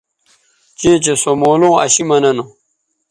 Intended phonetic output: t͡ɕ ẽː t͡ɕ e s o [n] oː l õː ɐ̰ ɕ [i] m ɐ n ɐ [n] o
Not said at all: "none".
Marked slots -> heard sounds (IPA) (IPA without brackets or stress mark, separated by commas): m, i, n